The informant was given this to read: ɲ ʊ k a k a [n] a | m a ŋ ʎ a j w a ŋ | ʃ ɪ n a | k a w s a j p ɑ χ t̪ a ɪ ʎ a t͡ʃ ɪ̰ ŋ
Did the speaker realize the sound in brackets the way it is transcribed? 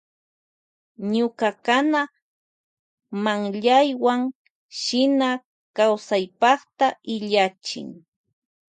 yes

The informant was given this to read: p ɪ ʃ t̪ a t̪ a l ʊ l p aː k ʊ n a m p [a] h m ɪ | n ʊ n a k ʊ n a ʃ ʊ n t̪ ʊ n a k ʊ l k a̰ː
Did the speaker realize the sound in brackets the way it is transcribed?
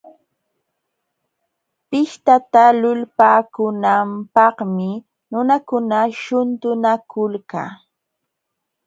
no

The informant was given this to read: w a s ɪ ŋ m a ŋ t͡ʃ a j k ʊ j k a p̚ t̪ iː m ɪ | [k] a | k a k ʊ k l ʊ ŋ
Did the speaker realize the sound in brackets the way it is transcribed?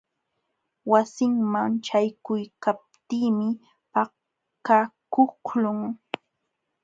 no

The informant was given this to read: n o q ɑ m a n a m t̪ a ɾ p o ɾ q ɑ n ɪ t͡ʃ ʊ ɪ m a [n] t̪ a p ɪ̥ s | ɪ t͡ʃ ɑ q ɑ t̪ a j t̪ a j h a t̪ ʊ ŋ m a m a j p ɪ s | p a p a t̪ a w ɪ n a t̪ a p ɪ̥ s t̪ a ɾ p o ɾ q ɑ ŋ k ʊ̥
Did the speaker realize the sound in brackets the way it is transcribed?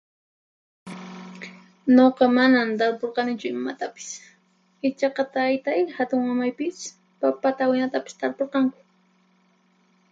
no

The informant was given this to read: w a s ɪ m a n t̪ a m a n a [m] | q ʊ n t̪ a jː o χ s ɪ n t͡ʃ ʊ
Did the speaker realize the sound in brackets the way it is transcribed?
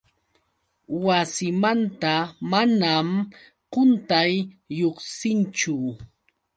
yes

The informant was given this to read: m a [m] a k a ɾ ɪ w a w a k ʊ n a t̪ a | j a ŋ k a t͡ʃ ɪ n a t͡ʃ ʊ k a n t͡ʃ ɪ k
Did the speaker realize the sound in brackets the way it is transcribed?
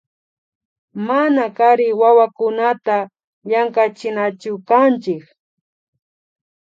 no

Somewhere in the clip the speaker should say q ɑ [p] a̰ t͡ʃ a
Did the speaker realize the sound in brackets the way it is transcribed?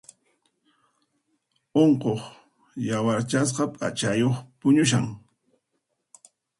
no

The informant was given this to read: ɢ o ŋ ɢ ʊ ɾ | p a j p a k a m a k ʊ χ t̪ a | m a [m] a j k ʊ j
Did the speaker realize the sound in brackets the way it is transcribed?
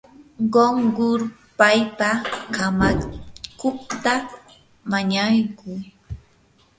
no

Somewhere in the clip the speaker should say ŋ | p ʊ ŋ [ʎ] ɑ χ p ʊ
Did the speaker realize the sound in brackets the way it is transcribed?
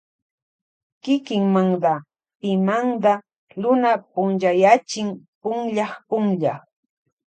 yes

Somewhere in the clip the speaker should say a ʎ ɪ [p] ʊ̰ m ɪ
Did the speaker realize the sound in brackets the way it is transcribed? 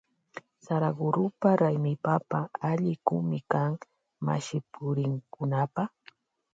no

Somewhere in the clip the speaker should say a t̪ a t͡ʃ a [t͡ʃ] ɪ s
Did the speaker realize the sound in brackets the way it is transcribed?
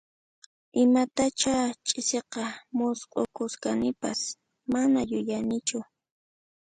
no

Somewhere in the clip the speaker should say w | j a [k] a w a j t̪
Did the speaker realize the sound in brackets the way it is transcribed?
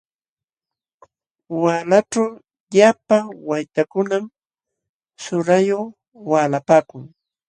no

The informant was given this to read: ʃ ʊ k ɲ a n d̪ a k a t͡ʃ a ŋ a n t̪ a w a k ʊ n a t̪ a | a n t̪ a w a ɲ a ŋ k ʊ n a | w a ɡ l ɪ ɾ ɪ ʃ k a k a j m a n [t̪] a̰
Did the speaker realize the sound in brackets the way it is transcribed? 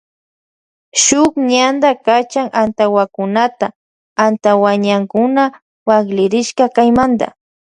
no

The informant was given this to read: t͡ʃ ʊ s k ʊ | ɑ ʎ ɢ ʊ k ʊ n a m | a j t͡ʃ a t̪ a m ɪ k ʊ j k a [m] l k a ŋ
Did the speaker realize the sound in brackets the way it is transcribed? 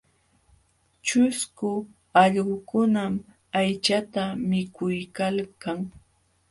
no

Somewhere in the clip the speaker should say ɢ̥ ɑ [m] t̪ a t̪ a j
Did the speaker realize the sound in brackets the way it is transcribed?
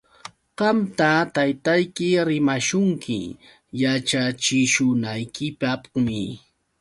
yes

